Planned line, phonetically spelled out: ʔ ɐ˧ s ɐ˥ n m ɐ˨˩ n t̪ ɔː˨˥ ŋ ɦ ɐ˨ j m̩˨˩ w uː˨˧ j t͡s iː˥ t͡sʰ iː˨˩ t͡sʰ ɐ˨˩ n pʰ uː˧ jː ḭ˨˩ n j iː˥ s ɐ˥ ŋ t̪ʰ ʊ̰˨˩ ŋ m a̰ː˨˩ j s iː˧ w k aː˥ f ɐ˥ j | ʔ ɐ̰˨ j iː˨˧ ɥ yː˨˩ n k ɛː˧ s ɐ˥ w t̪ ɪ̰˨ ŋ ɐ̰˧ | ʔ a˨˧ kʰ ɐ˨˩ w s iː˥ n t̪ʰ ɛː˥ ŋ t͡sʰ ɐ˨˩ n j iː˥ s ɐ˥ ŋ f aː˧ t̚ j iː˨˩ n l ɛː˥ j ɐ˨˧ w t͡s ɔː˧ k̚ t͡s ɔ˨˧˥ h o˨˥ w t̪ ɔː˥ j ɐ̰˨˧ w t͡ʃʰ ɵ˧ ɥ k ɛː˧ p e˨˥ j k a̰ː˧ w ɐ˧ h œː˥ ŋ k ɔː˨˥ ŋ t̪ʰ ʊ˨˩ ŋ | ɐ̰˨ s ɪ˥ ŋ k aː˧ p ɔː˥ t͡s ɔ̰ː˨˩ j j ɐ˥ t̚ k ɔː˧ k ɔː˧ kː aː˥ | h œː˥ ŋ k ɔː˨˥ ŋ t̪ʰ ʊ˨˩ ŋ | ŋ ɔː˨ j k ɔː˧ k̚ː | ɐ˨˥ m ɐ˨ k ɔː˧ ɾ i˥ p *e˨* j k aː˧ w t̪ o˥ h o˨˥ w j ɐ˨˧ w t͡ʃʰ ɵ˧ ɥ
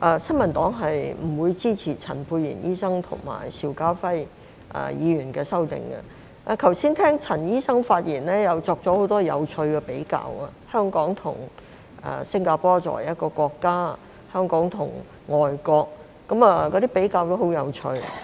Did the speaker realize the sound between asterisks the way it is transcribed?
no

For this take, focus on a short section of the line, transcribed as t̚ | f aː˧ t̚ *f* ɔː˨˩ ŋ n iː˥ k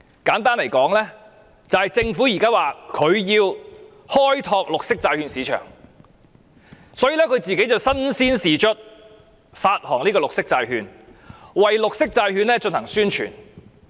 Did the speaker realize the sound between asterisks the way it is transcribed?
no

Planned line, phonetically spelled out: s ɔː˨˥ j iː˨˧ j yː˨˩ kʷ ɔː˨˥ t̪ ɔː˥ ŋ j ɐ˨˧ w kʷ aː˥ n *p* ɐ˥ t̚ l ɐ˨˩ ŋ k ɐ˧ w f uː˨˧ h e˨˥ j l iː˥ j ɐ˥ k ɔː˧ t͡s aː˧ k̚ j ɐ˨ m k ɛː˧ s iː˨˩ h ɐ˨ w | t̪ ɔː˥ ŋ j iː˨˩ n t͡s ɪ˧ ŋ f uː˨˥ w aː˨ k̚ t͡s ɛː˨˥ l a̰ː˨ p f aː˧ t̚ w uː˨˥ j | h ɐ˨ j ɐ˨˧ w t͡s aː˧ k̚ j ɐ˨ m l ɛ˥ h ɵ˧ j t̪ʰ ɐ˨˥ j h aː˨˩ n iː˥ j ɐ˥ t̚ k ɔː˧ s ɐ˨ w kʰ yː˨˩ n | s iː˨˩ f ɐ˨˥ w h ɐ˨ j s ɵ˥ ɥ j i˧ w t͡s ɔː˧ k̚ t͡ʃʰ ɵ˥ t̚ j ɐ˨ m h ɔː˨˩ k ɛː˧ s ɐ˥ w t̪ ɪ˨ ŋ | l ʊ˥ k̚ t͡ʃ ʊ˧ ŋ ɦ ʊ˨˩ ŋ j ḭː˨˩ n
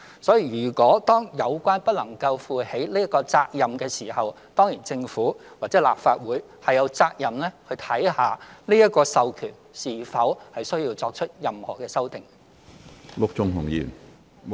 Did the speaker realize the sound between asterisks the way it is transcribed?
yes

